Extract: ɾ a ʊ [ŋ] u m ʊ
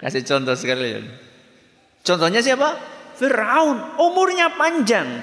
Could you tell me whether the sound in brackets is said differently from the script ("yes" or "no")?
yes